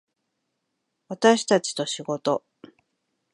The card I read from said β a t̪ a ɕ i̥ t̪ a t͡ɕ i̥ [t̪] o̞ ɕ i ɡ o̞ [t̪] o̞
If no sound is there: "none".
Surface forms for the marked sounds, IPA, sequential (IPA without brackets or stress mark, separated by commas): t̪, t̪